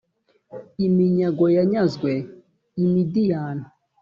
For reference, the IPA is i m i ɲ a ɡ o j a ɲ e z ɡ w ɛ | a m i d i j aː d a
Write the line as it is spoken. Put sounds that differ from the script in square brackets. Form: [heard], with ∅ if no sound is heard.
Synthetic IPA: i m i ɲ a ɡ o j a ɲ [a] z ɡ w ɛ | [i] m i d i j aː [n] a